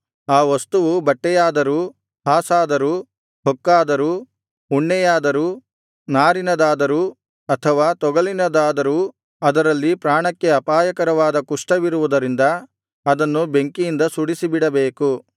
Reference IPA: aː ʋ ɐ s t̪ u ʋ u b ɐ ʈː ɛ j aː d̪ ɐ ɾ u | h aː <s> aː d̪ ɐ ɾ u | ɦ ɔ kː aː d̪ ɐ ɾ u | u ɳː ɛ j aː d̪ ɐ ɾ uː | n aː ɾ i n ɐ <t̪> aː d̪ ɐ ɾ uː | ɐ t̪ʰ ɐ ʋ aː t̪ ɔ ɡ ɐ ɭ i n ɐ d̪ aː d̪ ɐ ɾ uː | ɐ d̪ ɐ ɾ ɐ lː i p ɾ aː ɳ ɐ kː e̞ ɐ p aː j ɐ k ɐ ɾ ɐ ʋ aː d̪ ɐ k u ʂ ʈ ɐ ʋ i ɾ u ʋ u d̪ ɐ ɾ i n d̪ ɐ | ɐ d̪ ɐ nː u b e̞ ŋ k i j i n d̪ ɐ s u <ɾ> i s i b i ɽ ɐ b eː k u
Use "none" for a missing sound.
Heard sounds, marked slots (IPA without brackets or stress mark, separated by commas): s, d̪, ɽ